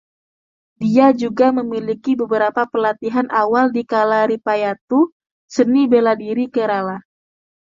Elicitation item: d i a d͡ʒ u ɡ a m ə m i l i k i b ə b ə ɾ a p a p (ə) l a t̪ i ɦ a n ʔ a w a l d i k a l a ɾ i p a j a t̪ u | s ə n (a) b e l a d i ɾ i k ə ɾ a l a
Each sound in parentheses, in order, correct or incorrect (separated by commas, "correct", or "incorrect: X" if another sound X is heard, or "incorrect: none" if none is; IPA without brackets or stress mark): correct, incorrect: i